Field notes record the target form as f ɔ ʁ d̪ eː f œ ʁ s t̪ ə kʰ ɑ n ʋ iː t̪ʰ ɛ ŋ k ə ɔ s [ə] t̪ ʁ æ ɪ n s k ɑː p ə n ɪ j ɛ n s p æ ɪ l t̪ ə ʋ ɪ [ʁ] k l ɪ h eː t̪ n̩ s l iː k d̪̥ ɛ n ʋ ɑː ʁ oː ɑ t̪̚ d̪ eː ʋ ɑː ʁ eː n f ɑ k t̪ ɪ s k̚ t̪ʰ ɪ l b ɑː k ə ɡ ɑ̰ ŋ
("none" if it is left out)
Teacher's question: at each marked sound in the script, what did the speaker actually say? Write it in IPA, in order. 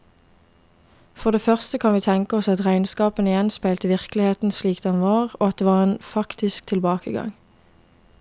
ɑ, ʁ

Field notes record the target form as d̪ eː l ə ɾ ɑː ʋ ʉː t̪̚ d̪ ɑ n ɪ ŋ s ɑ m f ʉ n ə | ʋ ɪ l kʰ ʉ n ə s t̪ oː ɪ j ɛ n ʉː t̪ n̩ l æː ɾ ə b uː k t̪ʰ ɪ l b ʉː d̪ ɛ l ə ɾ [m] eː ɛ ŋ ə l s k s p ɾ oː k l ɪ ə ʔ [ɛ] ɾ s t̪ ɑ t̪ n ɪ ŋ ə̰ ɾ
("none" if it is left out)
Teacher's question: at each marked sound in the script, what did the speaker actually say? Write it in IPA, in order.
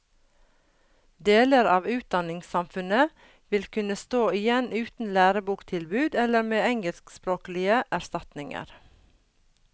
m, æ

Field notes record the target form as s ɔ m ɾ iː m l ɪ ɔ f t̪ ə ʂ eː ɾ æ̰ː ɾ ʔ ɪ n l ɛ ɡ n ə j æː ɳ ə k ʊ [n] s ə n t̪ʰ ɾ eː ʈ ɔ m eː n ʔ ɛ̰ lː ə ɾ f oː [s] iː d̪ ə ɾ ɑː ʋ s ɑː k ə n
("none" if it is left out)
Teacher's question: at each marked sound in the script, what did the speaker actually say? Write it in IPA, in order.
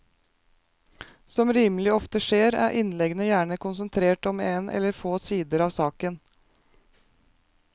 n, s

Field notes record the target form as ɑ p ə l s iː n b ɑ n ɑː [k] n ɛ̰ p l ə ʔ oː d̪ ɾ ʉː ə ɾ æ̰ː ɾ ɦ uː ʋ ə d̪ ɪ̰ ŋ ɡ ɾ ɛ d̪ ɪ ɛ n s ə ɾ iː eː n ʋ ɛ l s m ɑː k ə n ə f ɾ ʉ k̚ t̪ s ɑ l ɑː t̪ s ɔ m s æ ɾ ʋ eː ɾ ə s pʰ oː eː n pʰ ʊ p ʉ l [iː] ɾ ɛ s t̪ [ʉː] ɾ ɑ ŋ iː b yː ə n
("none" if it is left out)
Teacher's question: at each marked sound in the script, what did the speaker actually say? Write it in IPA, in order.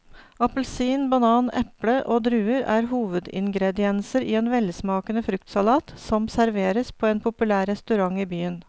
none, æː, ʉ

